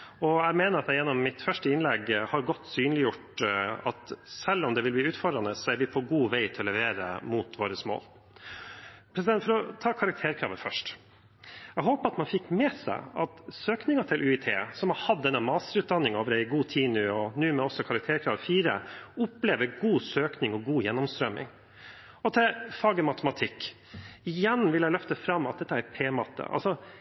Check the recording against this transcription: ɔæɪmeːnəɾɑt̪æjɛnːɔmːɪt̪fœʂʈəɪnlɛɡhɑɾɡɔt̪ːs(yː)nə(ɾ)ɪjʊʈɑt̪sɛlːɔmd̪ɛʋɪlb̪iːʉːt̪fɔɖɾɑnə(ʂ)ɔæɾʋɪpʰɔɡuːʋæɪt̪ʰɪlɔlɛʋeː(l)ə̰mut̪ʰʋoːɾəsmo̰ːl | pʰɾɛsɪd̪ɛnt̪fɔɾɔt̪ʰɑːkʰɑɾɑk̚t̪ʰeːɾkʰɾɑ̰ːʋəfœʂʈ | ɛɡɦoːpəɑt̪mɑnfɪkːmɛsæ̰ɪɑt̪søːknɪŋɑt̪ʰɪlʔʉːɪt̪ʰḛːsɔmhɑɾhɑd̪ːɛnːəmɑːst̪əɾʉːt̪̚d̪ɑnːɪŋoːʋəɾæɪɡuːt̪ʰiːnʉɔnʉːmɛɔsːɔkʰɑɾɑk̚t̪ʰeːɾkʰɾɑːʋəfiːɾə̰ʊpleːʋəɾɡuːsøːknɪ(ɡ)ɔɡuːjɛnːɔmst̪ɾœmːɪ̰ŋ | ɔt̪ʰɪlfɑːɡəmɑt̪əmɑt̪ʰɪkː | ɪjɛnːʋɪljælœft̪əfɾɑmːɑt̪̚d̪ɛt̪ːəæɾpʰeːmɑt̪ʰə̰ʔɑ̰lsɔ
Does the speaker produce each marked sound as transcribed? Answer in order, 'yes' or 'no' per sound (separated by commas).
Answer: yes, no, no, no, no